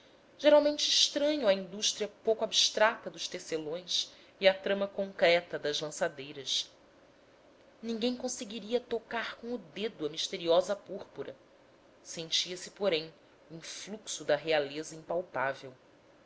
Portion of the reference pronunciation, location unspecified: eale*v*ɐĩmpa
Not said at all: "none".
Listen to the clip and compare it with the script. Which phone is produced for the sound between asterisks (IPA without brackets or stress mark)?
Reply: z